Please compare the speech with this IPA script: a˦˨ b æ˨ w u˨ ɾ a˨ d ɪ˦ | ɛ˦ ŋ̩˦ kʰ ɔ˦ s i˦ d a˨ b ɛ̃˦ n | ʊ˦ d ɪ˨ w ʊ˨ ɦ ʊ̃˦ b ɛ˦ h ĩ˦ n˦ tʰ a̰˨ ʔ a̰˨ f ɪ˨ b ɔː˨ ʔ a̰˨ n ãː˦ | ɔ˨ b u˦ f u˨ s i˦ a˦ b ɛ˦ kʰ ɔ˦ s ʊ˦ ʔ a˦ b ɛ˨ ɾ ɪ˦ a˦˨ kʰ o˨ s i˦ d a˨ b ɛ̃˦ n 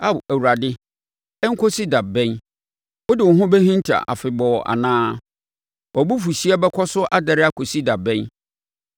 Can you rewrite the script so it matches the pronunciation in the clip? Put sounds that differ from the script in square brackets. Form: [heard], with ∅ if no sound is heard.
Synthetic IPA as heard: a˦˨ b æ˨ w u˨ ɾ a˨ d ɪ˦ | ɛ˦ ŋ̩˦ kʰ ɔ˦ s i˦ d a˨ b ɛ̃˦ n | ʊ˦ d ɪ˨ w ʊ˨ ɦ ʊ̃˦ b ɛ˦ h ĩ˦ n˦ tʰ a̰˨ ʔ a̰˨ f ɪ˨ b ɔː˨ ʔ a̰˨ n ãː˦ | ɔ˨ b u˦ f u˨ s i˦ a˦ b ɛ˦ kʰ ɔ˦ s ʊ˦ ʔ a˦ [d] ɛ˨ ɾ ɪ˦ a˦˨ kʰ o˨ s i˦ d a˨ b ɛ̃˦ n